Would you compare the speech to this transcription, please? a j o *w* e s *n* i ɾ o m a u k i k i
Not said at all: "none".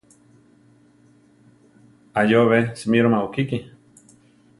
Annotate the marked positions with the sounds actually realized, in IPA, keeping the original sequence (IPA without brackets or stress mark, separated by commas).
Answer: β, m